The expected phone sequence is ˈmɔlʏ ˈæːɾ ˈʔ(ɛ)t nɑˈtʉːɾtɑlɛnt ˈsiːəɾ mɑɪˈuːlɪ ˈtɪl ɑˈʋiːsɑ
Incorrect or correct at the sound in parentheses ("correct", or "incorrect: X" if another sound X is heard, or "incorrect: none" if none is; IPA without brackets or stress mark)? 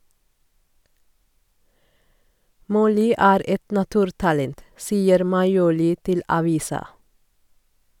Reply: correct